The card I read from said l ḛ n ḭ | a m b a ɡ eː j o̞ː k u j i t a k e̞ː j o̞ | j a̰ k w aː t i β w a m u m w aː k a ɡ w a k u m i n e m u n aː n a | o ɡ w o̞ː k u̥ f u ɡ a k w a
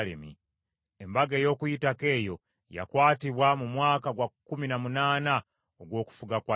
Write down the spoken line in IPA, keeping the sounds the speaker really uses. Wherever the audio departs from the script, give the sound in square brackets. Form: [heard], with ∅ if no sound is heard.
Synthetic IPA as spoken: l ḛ [m] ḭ | [e] m b a ɡ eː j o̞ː k u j i t a k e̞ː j o̞ | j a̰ k w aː t i β w a m u m w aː k a ɡ w a k u m i n [a] m u n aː n a | o ɡ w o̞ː k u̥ f u ɡ a k w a